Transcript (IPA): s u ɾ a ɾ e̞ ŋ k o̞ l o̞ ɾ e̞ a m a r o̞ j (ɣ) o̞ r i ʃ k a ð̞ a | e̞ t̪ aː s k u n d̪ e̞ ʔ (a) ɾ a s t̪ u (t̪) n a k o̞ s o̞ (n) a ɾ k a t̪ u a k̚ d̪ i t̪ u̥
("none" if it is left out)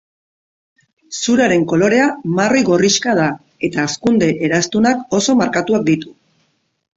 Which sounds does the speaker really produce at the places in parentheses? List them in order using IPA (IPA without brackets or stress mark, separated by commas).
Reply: ɣ, e, none, m